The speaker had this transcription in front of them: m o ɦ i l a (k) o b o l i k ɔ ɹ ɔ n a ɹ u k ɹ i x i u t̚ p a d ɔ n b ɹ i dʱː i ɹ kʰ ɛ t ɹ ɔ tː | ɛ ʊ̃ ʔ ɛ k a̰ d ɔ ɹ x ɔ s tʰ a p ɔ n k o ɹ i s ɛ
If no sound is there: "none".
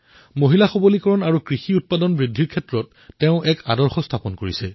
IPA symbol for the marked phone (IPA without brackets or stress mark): x